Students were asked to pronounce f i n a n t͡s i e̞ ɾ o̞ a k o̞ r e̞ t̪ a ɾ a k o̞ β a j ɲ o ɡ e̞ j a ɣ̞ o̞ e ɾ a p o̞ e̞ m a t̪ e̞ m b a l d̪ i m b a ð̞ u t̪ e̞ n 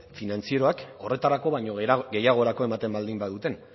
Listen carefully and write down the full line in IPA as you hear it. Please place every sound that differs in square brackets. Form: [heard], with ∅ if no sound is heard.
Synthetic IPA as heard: f i n a n t͡s i e̞ ɾ o̞ a k o̞ r e̞ t̪ a ɾ a k o̞ β a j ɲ o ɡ e̞ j a ɣ̞ o̞ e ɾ a [k] o̞ e̞ m a t̪ e̞ m b a l d̪ i m b a ð̞ u t̪ e̞ n